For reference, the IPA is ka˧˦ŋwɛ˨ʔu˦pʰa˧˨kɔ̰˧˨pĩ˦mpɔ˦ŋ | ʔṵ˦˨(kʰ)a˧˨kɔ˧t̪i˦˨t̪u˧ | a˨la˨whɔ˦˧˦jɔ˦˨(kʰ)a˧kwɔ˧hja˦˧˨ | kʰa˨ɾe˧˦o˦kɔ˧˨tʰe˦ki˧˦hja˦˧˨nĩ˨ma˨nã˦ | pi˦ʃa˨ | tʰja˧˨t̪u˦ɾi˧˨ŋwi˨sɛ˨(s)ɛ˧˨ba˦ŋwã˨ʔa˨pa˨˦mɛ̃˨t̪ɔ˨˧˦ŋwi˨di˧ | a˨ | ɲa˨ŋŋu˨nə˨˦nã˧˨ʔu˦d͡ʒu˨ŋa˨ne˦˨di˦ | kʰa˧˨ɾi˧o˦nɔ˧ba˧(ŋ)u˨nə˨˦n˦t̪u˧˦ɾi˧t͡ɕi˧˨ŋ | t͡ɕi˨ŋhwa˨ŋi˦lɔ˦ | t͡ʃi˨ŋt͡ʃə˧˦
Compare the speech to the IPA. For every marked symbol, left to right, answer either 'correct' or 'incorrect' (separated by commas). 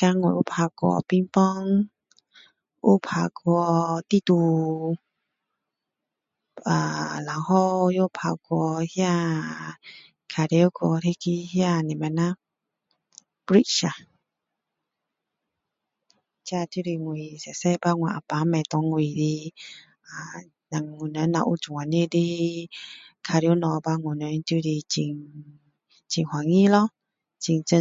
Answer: incorrect, incorrect, correct, correct